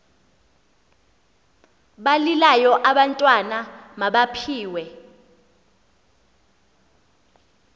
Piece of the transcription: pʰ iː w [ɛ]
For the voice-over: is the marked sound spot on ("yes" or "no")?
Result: yes